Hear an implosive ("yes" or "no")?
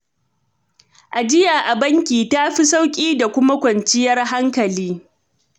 no